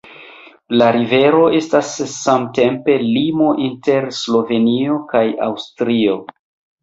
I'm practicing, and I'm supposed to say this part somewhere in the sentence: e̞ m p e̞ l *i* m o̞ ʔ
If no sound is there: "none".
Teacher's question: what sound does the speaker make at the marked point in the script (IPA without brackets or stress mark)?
i